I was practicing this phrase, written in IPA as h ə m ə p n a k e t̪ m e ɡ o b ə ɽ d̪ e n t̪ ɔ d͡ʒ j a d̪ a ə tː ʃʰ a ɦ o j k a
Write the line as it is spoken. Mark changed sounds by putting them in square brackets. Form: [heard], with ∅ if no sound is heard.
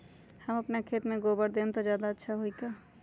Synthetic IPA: h ə m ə p n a [kʰ] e t̪ m e ɡ o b ə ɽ d̪ e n t̪ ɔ d͡ʒ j a d̪ a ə tː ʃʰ a ɦ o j k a